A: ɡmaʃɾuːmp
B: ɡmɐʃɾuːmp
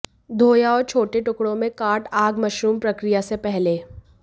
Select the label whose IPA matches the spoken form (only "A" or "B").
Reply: B